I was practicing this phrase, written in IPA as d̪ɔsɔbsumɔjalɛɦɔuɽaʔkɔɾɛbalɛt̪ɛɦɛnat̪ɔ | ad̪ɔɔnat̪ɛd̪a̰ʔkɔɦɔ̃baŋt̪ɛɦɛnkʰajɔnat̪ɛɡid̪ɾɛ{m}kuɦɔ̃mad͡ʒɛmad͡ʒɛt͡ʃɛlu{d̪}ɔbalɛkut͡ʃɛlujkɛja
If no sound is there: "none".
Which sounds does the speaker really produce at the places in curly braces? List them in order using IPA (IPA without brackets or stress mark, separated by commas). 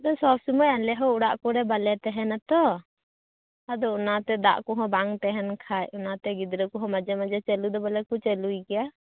none, d̪